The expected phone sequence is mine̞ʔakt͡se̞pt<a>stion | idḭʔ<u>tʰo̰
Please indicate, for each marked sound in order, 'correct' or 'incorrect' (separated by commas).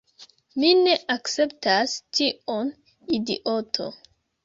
correct, incorrect